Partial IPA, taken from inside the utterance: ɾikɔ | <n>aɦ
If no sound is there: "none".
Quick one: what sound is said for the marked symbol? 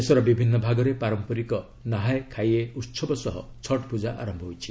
n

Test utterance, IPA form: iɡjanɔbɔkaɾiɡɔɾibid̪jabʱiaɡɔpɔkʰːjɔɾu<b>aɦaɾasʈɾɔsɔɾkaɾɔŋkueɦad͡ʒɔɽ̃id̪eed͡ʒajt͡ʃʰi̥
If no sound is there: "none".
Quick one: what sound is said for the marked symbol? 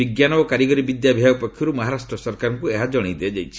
m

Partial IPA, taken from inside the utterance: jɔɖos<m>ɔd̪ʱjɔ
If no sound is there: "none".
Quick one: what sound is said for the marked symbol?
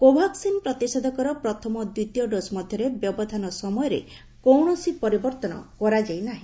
m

